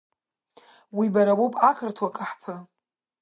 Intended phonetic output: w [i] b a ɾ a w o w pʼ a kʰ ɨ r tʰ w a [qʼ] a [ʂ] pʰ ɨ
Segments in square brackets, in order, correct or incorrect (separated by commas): correct, incorrect, incorrect